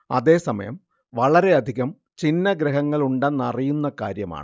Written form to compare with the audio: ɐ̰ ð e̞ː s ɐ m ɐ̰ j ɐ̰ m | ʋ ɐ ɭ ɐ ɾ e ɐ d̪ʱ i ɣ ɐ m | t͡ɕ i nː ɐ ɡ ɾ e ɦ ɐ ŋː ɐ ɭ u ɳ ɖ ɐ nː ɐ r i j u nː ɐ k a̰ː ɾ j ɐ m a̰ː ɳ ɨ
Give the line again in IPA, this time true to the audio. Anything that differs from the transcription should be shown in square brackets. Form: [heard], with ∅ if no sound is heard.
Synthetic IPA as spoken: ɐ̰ ð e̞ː s ɐ m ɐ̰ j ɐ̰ m | ʋ ɐ ɭ ɐ ɾ e ɐ d̪ʱ i ɣ ɐ m | t͡ɕ i nː ɐ ɡ ɾ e ɦ ɐ ŋː ɐ ɭ u ɳ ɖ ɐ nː ɐ r i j u nː ɐ k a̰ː ɾ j ɐ m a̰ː ɳ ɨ